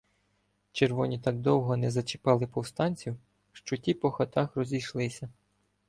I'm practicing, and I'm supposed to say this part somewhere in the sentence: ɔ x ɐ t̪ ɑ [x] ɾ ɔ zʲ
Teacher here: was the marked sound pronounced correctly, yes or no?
yes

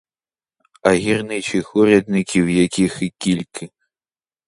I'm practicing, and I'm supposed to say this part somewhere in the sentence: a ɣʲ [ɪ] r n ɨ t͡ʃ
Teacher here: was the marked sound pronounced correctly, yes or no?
no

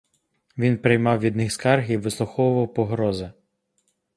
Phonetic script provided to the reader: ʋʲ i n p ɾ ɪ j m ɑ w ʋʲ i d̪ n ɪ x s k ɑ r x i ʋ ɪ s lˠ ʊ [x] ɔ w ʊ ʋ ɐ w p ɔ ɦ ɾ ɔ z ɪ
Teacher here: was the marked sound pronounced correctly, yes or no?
yes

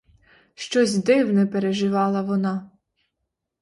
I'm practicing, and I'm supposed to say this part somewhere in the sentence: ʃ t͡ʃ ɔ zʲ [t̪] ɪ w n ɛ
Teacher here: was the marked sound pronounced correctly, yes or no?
no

